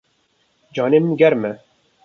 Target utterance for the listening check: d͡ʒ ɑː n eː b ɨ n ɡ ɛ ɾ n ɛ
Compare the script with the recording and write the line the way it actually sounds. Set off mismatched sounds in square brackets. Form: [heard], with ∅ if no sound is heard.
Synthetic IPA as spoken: d͡ʒ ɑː n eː [m] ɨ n ɡ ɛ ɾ [m] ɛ